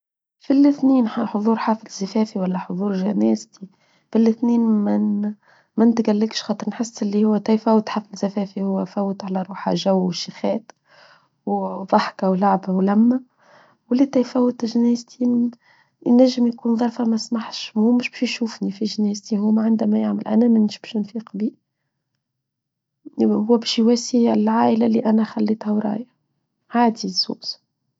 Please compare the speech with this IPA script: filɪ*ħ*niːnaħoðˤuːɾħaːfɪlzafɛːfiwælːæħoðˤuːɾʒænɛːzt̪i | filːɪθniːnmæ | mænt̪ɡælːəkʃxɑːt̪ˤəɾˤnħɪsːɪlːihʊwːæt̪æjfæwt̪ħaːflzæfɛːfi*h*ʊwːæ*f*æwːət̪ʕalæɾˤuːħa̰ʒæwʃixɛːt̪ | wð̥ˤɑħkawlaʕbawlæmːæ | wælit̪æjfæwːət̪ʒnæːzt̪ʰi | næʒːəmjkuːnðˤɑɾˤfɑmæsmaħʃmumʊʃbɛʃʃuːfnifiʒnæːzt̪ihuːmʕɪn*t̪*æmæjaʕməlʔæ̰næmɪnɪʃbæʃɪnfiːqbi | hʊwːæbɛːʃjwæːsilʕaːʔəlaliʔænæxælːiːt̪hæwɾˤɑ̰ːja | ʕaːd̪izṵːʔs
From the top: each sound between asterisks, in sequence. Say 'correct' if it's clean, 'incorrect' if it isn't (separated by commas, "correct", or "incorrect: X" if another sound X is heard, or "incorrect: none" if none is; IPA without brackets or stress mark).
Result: incorrect: θ, correct, correct, incorrect: d̪